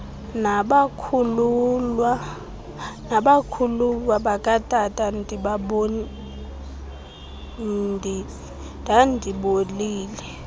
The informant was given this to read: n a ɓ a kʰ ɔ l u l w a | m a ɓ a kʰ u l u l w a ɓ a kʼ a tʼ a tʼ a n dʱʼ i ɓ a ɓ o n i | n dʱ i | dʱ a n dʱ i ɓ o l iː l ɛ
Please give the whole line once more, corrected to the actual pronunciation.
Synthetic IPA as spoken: n a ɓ a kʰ u l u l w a | n a ɓ a kʰ u l u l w a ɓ a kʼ a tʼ a tʼ a n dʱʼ i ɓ a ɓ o n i | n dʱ i | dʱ a n dʱ i ɓ o l iː l ɛ